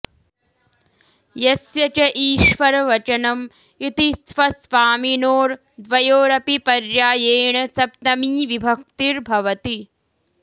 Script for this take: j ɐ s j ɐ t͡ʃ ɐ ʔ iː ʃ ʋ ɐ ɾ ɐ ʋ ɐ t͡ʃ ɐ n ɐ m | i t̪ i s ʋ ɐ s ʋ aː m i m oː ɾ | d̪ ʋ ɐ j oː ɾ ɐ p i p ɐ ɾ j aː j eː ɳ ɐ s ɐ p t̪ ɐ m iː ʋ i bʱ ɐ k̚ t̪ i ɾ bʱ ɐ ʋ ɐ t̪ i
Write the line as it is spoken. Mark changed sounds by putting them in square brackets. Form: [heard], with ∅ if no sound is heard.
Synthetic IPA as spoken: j ɐ s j ɐ t͡ʃ ɐ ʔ iː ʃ ʋ ɐ ɾ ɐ ʋ ɐ t͡ʃ ɐ n ɐ m | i t̪ i s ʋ ɐ s ʋ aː m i [n] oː ɾ | d̪ ʋ ɐ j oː ɾ ɐ p i p ɐ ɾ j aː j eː ɳ ɐ s ɐ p t̪ ɐ m iː ʋ i bʱ ɐ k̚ t̪ i ɾ bʱ ɐ ʋ ɐ t̪ i